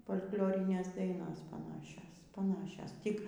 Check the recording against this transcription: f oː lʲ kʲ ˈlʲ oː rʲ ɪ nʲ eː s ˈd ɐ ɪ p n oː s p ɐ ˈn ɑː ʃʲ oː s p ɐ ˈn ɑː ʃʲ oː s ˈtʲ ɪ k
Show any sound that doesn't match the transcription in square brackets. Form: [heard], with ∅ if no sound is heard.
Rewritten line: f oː lʲ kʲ ˈlʲ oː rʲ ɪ nʲ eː s ˈd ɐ ɪ [∅] n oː s p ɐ ˈn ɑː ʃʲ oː s p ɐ ˈn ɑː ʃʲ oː s ˈtʲ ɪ k